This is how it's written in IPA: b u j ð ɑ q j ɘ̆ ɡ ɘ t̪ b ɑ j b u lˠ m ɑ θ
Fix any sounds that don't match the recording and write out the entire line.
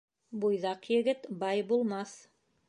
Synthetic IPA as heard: b u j ð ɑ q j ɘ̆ ɡ ɘ t̪ b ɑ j b u lˠ m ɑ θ